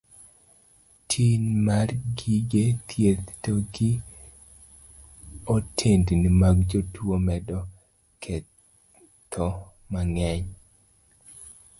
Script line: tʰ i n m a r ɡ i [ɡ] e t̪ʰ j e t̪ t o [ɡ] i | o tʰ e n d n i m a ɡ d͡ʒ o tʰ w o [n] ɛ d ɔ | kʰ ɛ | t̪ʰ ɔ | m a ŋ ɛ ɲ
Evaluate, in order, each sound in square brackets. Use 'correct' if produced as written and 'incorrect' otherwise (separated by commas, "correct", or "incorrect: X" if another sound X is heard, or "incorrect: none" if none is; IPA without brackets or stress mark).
correct, correct, incorrect: m